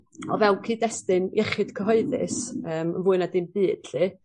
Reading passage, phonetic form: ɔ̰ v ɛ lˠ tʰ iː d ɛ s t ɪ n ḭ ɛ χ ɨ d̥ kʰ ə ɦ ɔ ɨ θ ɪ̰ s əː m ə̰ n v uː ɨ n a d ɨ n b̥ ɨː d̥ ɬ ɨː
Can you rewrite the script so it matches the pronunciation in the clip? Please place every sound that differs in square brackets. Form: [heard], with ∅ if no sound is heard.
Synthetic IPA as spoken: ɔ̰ v ɛ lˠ [kʰ] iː d ɛ s t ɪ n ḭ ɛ χ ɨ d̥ kʰ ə ɦ ɔ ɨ [ð] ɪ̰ s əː m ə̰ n v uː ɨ n a d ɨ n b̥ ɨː d̥ ɬ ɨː